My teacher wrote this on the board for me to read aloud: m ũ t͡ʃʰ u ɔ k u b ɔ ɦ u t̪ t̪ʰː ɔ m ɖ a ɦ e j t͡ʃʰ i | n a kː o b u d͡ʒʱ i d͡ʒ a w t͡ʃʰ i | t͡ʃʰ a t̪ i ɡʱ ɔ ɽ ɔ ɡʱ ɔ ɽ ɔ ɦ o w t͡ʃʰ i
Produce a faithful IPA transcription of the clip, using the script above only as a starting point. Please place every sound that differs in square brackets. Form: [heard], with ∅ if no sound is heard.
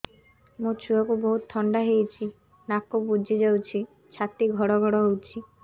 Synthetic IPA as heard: m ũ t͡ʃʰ u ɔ k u b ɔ ɦ u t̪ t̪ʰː ɔ [ɳ] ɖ a ɦ e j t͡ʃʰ i | n a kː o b u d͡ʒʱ i d͡ʒ a w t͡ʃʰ i | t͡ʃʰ a t̪ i ɡʱ ɔ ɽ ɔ ɡʱ ɔ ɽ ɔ ɦ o w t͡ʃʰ i